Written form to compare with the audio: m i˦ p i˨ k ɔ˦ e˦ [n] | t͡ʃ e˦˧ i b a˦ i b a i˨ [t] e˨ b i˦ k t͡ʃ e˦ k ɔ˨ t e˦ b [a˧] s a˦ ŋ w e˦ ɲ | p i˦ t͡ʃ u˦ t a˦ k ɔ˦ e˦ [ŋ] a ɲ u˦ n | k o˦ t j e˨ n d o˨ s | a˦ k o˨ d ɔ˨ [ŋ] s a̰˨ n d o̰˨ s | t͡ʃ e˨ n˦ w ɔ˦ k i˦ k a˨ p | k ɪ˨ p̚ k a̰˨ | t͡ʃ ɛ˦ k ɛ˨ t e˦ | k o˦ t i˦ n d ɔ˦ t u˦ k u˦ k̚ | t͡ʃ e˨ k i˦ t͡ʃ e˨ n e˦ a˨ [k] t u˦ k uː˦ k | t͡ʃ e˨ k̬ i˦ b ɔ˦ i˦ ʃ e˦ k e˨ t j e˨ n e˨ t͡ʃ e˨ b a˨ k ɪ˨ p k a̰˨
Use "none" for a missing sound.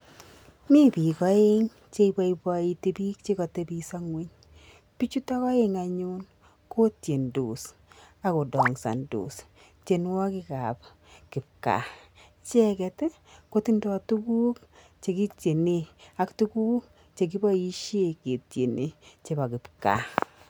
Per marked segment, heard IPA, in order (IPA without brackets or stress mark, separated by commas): ŋ, t, i˧, ŋ, ŋ, k